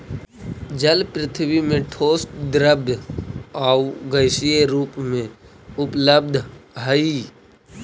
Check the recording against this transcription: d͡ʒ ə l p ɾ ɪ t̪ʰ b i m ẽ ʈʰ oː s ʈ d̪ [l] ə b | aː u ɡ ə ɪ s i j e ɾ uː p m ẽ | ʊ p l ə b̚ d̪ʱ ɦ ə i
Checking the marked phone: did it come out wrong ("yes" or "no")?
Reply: yes